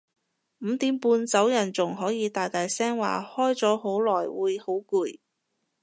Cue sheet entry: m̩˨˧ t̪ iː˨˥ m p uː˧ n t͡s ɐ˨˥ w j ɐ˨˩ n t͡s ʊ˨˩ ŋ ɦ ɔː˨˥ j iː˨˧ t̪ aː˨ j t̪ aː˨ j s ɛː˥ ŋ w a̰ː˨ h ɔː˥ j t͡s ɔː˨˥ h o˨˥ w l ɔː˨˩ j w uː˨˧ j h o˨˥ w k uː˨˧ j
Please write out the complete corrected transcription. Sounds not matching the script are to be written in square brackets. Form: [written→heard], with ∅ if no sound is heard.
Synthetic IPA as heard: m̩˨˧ t̪ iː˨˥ m p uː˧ n t͡s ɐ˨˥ w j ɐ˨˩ n t͡s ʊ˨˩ ŋ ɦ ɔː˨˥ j iː˨˧ t̪ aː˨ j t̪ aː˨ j s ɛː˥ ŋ w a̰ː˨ h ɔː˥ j t͡s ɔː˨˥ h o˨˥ w l ɔː˨˩ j w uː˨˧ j h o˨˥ w k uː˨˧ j

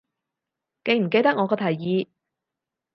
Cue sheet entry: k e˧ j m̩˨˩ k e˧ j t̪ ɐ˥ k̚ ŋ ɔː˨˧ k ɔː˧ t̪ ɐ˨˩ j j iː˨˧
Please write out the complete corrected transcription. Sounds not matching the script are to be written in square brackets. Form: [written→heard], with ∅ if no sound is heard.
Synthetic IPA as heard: k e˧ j m̩˨˩ k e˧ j t̪ ɐ˥ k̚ ŋ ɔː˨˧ k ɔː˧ [t̪→t̪ʰ] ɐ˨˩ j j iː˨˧

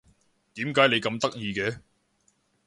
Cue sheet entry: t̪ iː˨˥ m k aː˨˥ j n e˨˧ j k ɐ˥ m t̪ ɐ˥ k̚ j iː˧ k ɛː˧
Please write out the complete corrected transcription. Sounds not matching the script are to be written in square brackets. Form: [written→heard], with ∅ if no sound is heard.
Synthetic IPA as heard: t̪ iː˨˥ m k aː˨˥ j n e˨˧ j k [ɐ˥→ɐ˧] m t̪ ɐ˥ k̚ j iː˧ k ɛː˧

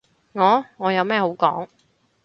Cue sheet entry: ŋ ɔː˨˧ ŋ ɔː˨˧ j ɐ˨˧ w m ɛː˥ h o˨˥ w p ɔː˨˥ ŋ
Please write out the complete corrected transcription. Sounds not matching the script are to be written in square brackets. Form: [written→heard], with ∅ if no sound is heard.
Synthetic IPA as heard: ŋ ɔː˨˧ ŋ ɔː˨˧ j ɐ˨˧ w m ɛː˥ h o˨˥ w [p→k] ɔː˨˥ ŋ

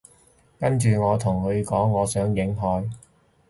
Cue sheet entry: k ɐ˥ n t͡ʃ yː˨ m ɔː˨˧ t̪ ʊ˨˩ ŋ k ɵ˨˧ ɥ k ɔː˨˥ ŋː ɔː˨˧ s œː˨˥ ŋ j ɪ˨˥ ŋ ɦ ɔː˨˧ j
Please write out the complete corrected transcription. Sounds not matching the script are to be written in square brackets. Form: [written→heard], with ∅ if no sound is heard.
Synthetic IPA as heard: k ɐ˥ n t͡ʃ yː˨ [m→ŋ] ɔː˨˧ [t̪→t̪ʰ] ʊ˨˩ ŋ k ɵ˨˧ ɥ k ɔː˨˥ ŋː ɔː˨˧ s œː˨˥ ŋ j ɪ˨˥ ŋ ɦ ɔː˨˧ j

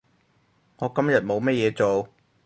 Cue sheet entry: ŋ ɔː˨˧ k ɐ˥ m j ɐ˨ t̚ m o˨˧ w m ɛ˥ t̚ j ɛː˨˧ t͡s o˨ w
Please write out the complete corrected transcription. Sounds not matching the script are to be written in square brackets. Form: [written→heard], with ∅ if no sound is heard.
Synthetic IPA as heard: ŋ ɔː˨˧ k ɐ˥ m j ɐ˨ t̚ m o˨˧ w m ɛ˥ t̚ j ɛː˨˧ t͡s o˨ w

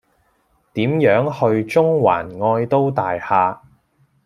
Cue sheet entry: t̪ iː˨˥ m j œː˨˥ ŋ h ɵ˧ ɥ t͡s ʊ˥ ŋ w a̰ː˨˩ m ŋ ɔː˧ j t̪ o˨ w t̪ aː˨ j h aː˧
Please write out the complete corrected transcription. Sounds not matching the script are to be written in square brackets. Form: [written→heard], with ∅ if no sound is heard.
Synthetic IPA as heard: t̪ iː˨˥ m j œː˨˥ ŋ h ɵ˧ ɥ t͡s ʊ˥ ŋ w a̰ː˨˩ [m→n] ŋ ɔː˧ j t̪ [o˨→o˥] w t̪ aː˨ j h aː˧

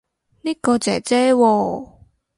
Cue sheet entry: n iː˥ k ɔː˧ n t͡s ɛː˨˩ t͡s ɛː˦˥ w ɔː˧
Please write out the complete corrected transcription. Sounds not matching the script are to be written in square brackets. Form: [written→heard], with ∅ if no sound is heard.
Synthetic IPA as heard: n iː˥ k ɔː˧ [n→∅] t͡s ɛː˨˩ t͡s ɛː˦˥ w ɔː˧

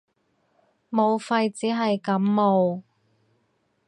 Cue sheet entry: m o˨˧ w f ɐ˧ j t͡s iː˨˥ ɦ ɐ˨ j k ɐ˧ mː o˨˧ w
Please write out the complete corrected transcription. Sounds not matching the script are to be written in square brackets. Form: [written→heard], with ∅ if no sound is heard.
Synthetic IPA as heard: m o˨˧ w f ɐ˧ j t͡s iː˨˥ ɦ ɐ˨ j k [ɐ˧→ɐ˨˥] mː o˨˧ w

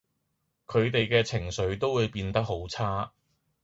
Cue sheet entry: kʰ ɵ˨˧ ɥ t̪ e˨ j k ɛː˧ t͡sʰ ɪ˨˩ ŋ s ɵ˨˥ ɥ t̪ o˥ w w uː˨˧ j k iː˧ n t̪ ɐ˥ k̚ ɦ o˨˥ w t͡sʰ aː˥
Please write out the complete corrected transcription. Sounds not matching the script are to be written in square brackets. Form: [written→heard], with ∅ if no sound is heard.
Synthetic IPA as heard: kʰ ɵ˨˧ ɥ t̪ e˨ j k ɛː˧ t͡sʰ ɪ˨˩ ŋ s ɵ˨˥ ɥ t̪ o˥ w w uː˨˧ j [k→p] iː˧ n t̪ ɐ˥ k̚ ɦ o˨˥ w t͡sʰ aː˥

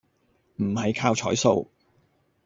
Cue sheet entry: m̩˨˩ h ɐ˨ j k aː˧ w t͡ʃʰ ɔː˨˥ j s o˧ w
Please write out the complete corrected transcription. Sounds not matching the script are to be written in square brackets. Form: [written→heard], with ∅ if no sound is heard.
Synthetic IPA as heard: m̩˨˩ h ɐ˨ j [k→kʰ] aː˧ w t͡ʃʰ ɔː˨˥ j s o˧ w

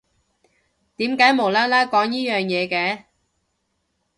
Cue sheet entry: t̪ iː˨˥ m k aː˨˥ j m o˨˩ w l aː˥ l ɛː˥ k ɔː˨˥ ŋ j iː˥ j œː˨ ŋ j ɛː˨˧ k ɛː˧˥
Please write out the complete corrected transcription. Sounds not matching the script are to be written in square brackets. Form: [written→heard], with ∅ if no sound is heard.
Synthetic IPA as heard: t̪ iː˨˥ m k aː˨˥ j m o˨˩ w l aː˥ l [ɛː˥→aː˥] k ɔː˨˥ ŋ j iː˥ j œː˨ ŋ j ɛː˨˧ k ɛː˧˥

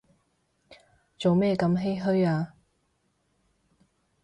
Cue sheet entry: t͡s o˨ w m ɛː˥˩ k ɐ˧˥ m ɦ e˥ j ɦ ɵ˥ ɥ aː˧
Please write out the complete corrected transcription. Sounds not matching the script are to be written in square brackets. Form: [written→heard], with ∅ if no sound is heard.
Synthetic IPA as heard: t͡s o˨ w m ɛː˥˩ k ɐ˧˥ m ɦ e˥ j ɦ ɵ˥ ɥ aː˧

